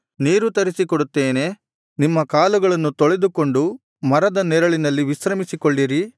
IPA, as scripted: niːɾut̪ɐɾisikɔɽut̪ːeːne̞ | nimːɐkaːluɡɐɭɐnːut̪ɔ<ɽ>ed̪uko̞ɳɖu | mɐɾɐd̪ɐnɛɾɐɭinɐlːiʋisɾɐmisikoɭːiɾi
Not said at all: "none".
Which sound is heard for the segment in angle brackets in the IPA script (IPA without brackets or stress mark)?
ɭ